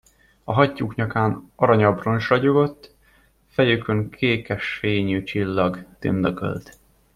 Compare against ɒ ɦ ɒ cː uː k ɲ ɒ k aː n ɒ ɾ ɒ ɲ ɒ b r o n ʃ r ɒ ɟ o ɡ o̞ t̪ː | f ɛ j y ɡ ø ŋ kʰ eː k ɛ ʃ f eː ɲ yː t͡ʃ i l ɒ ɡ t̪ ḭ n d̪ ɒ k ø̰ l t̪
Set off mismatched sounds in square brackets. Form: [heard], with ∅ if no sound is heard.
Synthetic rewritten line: ɒ ɦ ɒ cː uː k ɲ ɒ k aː n ɒ ɾ ɒ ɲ ɒ b r o n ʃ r ɒ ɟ o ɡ o̞ t̪ː | f ɛ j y [k] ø ŋ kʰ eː k ɛ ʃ f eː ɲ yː t͡ʃ i [lː] ɒ ɡ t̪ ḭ n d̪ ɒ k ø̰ l t̪